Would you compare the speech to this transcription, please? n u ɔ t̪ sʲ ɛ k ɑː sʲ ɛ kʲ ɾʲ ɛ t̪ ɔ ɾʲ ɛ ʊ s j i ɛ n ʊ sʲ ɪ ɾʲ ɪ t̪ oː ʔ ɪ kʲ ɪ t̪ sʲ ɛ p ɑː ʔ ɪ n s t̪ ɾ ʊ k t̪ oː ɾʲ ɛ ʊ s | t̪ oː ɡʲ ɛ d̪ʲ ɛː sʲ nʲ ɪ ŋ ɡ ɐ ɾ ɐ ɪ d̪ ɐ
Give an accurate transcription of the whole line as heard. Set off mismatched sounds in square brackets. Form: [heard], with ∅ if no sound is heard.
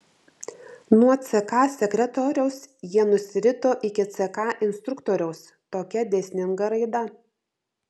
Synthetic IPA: n u ɔ t̪ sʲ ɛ k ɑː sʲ ɛ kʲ ɾʲ ɛ t̪ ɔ ɾʲ ɛ ʊ s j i ɛ n ʊ sʲ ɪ ɾʲ ɪ t̪ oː ʔ ɪ kʲ ɪ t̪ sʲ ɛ [k] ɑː ʔ ɪ n s t̪ ɾ ʊ k t̪ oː ɾʲ ɛ ʊ s | t̪ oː [kʲ] ɛ d̪ʲ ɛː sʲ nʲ ɪ ŋ ɡ ɐ ɾ ɐ ɪ d̪ ɐ

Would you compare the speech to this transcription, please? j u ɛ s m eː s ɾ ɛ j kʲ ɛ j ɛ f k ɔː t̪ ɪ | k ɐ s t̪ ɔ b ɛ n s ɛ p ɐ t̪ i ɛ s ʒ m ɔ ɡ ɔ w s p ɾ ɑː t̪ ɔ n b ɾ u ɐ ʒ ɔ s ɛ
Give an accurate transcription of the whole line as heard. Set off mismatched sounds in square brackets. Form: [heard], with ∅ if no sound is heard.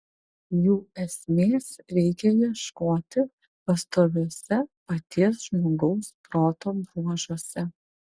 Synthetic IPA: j u ɛ s m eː s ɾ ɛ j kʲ ɛ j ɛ [ʃ] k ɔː t̪ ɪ | [p] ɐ s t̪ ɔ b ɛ [∅] s ɛ p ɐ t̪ i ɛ s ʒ m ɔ ɡ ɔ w s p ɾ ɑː t̪ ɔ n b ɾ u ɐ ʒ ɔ s ɛ

